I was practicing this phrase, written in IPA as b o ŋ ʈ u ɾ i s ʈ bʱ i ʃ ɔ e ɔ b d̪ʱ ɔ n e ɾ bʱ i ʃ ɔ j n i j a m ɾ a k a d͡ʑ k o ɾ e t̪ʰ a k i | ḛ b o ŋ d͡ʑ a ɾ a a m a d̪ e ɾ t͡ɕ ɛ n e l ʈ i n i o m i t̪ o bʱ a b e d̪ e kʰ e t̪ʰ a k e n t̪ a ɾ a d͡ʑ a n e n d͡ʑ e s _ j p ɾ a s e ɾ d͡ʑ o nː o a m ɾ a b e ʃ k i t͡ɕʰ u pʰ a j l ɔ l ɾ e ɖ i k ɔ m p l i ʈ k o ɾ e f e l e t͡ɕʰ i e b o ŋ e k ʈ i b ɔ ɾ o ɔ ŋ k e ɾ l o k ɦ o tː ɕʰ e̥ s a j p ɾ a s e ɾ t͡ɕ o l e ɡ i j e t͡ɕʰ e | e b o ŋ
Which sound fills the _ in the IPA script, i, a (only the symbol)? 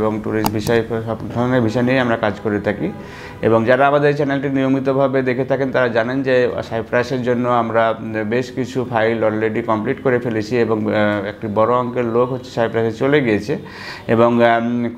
a